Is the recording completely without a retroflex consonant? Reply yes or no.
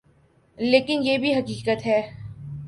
yes